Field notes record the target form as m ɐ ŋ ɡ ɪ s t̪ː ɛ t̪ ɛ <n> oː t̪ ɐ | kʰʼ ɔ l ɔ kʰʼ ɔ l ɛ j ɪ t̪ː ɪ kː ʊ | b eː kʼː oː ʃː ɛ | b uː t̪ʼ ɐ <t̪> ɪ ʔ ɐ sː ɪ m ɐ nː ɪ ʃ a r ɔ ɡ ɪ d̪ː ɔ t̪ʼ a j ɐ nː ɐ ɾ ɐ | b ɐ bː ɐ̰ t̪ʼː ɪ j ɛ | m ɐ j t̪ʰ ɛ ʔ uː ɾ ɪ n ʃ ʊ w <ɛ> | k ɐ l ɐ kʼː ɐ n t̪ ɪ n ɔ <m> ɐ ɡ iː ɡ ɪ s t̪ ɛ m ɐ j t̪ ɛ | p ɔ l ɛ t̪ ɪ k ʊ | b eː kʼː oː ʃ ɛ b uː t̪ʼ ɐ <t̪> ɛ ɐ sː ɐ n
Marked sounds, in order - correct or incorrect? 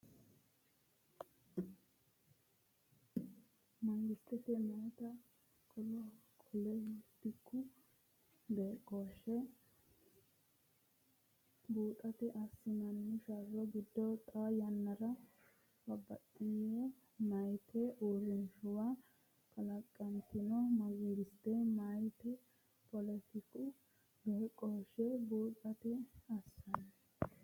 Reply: incorrect, correct, incorrect, correct, correct

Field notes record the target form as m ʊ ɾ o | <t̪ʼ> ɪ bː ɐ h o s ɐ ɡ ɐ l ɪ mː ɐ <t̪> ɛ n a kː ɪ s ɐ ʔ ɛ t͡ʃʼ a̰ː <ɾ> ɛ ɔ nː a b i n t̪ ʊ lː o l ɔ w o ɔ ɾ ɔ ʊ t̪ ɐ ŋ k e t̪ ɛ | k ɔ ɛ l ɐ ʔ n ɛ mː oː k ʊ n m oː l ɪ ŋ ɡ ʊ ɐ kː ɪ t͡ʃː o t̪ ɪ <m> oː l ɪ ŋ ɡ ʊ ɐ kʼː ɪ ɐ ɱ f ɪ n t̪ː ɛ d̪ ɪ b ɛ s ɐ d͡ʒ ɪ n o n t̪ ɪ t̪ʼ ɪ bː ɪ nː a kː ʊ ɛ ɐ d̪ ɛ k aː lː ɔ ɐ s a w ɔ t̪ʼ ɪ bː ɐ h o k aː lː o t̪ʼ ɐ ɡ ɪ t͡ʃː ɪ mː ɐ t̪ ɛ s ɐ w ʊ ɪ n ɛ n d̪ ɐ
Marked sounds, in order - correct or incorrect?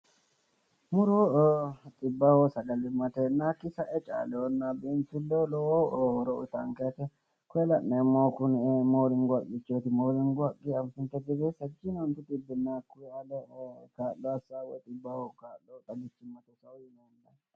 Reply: correct, correct, incorrect, correct

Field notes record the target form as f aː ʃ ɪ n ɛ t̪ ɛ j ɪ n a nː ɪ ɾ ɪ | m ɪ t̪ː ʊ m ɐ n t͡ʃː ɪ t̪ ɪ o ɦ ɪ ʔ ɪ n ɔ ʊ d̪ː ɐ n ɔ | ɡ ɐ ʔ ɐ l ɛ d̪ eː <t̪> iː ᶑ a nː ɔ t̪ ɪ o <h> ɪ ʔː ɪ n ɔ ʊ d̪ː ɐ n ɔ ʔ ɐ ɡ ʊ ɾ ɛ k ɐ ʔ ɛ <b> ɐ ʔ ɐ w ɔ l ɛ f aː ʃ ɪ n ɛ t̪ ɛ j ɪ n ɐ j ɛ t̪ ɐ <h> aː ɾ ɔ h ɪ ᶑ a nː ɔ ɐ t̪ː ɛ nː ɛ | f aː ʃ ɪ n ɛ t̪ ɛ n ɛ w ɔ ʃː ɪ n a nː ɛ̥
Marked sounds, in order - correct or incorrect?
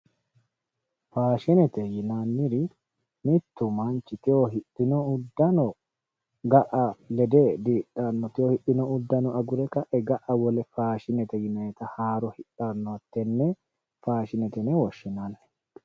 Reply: incorrect, correct, incorrect, correct

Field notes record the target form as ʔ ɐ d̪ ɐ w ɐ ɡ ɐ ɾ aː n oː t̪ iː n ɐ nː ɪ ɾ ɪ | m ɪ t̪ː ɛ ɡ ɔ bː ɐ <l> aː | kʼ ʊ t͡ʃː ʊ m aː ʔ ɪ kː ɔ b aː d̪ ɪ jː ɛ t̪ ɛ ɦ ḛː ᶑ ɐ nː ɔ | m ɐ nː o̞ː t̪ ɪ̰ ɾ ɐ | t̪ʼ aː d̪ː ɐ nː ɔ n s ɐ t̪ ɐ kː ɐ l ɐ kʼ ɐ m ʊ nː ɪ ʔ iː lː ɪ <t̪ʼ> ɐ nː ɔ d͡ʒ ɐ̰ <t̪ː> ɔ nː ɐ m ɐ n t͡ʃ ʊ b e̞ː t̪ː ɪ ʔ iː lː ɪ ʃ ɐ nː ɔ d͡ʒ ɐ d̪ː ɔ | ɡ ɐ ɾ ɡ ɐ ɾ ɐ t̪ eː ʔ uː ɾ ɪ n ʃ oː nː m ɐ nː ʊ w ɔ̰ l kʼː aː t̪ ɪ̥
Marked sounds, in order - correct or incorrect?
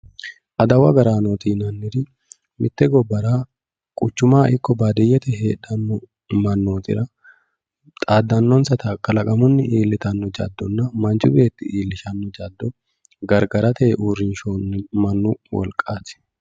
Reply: incorrect, incorrect, incorrect

